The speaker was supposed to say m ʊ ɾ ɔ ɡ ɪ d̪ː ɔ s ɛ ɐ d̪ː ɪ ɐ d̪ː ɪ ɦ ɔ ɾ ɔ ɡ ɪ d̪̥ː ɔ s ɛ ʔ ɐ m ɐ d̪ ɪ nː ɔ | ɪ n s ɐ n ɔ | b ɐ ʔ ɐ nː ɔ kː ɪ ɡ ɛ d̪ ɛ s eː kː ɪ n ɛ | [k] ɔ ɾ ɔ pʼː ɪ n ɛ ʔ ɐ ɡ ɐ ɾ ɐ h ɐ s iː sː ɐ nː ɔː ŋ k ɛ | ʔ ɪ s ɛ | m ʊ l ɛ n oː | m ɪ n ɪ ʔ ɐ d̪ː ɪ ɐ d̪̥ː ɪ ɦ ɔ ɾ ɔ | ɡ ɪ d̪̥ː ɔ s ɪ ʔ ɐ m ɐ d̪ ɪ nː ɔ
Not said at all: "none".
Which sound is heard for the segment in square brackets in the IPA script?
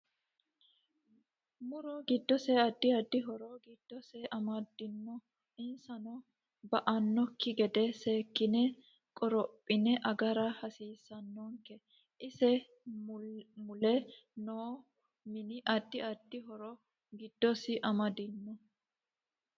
kʼ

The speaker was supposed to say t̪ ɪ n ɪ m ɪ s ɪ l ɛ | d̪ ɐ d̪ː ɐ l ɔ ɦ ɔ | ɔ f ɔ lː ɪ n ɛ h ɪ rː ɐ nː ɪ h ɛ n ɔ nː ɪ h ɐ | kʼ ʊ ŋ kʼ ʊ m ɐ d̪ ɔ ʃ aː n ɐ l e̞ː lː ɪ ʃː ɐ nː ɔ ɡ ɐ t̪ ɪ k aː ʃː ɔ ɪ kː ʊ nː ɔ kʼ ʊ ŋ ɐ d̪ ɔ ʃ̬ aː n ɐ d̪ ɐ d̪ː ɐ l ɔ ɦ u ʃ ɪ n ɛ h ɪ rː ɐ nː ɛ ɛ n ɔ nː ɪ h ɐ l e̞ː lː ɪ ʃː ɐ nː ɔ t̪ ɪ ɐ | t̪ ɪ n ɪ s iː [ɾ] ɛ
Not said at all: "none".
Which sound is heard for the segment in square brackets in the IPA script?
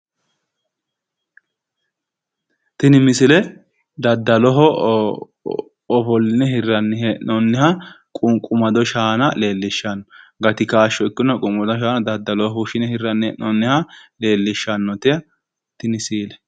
l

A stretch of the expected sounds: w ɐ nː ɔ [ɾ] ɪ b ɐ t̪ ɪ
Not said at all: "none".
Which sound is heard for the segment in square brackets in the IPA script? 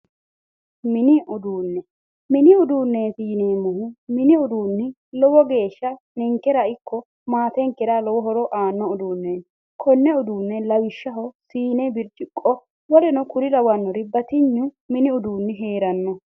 ɾ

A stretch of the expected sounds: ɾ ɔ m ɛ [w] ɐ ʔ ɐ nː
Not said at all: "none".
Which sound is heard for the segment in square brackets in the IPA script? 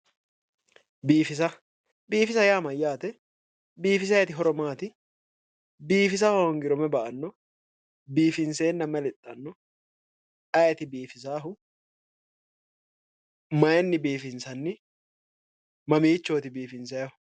b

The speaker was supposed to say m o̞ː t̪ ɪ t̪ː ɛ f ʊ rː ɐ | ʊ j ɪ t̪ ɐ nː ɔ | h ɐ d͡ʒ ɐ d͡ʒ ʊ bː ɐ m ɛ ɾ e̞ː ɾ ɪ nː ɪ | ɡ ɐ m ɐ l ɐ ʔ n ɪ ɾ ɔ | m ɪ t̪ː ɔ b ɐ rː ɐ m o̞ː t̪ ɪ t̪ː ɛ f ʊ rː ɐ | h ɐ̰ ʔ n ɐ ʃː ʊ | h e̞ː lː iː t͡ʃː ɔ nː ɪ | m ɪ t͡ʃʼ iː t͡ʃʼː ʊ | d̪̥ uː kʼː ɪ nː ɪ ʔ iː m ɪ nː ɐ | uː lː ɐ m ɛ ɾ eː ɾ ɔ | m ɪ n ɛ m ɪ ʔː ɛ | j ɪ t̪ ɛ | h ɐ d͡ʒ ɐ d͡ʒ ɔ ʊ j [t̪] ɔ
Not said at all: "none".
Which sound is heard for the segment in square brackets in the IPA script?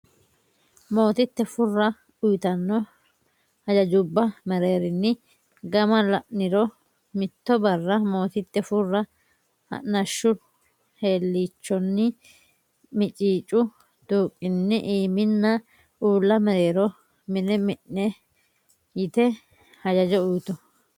t̪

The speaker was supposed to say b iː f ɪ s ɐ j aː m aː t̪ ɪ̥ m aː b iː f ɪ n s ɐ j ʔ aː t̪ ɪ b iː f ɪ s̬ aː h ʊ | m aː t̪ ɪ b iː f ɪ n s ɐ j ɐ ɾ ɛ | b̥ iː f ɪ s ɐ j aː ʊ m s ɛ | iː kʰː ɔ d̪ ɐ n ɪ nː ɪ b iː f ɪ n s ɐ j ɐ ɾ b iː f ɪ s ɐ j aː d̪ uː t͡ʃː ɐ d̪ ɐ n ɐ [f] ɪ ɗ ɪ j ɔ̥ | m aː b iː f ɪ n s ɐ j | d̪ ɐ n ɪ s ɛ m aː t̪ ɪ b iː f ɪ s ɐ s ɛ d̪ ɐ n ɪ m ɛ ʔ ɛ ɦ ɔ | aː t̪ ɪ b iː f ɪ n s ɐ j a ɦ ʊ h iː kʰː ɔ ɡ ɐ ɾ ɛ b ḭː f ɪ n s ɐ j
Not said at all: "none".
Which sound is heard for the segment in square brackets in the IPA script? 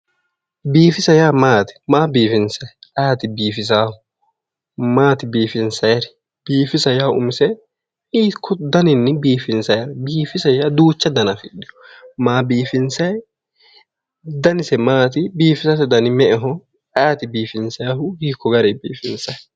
f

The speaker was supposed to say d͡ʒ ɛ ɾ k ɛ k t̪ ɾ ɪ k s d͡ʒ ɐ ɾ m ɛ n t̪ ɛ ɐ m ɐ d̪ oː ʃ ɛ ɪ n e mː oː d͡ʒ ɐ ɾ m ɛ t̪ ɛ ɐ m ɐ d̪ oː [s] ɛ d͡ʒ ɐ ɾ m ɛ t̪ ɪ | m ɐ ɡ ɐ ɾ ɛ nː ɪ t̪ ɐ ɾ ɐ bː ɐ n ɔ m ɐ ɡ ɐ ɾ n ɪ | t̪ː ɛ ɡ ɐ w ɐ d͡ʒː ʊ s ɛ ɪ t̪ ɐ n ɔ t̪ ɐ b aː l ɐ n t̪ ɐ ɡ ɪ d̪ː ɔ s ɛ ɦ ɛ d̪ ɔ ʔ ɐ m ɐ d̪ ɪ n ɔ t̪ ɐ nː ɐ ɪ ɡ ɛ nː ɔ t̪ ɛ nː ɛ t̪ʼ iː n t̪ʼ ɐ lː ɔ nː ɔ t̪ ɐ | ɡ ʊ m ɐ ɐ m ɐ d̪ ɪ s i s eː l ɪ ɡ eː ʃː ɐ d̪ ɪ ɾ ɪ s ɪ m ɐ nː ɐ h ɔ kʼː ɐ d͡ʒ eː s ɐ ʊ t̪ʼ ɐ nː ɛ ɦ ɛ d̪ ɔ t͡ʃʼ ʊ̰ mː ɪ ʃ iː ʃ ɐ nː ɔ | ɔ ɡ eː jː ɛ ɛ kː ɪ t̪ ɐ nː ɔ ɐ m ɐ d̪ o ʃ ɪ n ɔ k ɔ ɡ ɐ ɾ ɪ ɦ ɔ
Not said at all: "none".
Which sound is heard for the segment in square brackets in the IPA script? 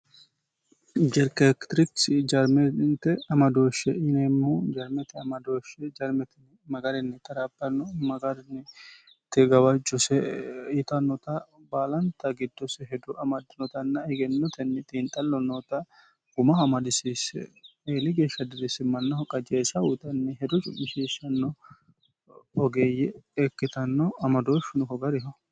ʃ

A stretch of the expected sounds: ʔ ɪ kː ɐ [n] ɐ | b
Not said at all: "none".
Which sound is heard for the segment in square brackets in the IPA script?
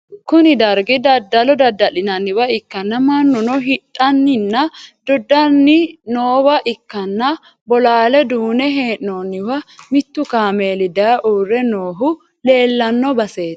nː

